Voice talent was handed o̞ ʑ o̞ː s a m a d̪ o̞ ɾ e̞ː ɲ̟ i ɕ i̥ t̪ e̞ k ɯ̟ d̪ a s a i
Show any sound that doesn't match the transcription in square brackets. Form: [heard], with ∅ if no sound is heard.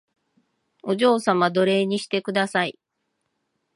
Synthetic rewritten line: o̞ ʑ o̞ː s a m a d̪ o̞ ɾ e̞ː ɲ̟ i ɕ i̥ t̪ e̞ k ɯ̟ d̪ a s a i

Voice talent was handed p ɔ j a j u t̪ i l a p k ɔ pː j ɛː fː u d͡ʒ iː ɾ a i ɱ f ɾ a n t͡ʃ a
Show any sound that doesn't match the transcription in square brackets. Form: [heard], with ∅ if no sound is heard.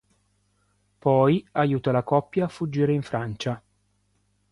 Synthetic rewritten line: p ɔ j a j [uː] t̪ [a] l a [∅] k ɔ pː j [aː] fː u [d͡ʒː] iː ɾ [e] i ɱ f ɾ a n t͡ʃ a

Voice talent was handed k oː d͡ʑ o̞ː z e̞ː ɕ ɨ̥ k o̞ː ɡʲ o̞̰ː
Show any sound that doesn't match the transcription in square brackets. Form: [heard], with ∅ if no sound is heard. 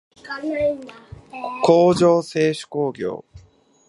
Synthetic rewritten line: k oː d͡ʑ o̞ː [s] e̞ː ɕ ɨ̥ k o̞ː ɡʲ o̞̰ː

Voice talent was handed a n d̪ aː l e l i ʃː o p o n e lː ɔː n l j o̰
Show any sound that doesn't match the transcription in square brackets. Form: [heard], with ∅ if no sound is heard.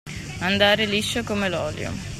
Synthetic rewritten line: a n d̪ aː [ɾ] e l i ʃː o [k] o [m] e [l] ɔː [∅] l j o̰

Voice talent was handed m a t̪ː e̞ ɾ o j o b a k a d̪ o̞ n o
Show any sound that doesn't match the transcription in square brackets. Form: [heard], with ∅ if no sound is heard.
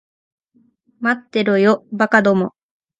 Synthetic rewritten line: m a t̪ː e̞ ɾ o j o b a k a d̪ o̞ [m] o

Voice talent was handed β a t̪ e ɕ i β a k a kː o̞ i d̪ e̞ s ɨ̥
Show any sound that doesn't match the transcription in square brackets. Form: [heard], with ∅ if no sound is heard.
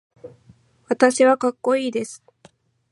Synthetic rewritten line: β a t̪ [a] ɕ i β a k a kː o̞ [iː] d̪ e̞ s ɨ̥

